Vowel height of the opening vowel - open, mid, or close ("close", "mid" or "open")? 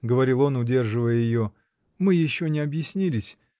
mid